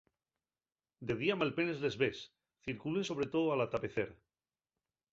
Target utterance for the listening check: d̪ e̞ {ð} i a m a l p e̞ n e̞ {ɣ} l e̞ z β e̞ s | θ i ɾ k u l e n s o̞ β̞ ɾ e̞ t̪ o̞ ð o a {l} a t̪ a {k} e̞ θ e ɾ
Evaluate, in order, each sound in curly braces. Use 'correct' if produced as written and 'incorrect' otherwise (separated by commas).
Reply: correct, incorrect, correct, incorrect